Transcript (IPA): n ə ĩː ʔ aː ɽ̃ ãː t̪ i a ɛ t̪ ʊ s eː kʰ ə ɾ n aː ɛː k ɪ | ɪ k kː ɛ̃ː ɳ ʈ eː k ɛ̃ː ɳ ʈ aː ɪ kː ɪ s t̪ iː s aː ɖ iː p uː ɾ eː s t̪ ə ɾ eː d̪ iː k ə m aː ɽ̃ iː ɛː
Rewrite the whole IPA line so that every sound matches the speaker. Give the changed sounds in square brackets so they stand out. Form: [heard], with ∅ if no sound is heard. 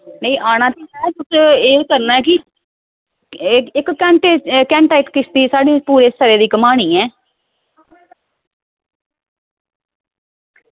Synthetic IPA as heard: n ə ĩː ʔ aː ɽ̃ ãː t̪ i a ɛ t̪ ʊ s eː [k] ə ɾ n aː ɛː k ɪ | ɪ k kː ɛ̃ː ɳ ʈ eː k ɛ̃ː ɳ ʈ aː ɪ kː ɪ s t̪ iː s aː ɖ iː p uː ɾ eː s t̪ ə ɾ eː d̪ iː k ə m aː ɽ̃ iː ɛː